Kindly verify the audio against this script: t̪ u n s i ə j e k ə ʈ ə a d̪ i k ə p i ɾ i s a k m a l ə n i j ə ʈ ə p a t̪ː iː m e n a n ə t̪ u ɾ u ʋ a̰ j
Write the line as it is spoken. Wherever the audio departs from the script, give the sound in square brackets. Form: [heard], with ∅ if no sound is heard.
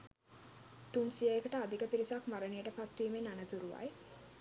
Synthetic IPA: t̪ u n s i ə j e k ə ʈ ə a d̪ i k ə p i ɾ i s a k m a [ɾ] ə n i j ə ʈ ə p a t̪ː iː m e n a n ə t̪ u ɾ u ʋ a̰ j